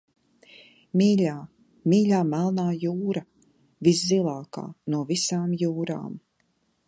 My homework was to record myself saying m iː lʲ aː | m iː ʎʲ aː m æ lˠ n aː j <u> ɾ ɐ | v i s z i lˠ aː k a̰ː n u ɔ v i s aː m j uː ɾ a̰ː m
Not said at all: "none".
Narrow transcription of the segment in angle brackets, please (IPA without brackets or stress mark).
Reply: uː